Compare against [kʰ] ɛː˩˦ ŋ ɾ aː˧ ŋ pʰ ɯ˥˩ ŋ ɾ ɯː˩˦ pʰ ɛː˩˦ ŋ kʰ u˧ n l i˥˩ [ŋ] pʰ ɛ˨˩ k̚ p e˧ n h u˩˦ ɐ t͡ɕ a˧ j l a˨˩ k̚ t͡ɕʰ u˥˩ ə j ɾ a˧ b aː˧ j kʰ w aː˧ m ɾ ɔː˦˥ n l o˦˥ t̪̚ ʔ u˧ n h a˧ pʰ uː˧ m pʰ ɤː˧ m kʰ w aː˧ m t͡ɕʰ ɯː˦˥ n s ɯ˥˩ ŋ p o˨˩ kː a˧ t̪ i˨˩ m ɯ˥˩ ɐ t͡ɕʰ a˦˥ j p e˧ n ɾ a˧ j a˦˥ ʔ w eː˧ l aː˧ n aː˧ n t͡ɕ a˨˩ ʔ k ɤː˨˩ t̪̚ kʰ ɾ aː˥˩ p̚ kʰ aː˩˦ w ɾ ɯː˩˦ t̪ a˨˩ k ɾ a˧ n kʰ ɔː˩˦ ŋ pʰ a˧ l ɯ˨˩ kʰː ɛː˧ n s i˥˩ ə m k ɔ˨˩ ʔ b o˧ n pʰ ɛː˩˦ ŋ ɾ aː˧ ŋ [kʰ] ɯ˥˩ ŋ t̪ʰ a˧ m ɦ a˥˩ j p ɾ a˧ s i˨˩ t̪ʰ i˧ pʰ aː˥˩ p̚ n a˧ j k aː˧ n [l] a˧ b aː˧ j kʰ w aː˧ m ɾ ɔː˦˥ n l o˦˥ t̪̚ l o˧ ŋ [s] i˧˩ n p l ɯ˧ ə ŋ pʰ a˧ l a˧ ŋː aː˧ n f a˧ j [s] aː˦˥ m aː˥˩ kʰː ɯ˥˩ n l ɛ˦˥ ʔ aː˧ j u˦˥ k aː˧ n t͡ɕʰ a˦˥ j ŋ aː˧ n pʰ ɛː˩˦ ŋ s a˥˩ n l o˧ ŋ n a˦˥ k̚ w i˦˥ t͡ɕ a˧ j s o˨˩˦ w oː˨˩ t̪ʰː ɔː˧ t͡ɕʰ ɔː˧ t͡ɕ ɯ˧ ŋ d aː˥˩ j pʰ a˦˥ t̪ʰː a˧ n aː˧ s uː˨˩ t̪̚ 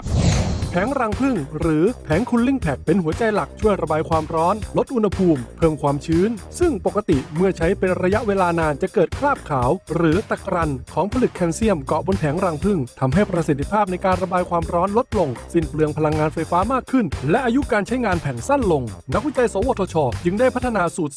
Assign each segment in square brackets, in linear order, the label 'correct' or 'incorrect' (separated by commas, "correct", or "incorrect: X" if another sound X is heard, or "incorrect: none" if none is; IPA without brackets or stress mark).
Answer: incorrect: pʰ, correct, incorrect: pʰ, incorrect: ɾ, correct, incorrect: f